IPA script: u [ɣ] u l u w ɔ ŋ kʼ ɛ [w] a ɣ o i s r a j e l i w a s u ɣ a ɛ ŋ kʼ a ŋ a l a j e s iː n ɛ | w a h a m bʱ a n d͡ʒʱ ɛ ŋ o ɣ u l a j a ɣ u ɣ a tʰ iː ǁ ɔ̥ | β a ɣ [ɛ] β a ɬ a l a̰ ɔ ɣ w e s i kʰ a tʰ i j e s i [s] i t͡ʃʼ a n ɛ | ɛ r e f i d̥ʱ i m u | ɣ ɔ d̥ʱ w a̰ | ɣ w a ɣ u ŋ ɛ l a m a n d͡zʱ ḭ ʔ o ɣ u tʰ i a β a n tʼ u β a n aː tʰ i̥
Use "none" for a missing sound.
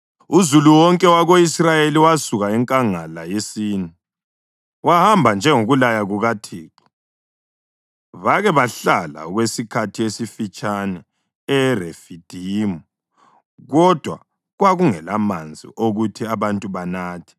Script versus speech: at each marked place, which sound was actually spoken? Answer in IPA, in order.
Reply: z, w, ɛ, f

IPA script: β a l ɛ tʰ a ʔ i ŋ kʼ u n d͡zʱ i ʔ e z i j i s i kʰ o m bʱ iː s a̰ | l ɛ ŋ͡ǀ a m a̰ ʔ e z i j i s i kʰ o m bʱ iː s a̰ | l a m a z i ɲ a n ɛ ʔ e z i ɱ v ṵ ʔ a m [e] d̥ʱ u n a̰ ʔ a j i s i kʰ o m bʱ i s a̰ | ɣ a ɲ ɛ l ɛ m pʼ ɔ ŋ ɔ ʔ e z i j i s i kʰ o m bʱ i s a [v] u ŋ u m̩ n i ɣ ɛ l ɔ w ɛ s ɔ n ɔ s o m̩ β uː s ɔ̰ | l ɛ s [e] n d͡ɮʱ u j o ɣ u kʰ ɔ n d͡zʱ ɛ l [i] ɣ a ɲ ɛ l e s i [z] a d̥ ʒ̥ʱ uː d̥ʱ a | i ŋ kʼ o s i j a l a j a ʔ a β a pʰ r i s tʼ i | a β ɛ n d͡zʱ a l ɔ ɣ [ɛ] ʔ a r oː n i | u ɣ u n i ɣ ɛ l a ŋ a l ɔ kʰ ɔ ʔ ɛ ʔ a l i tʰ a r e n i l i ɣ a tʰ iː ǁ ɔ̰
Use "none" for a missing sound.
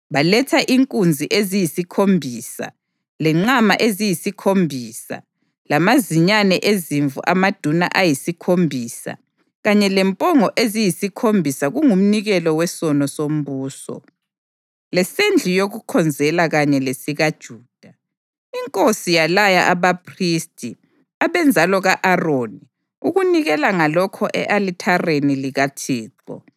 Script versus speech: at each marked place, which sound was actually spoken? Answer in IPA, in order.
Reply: a, ɣ, e, a, ɣ, a

